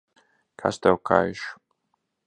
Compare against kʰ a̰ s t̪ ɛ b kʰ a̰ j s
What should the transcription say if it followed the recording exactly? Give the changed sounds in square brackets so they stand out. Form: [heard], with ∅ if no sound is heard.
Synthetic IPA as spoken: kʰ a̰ s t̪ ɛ [w] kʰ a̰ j [ʃ]